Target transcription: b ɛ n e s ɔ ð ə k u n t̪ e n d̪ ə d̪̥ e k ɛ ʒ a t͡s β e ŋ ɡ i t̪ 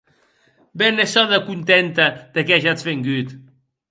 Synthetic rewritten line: b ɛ n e s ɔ ð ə k u n t̪ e n t̪ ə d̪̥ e k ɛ ʒ a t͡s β e ŋ ɡ y t̪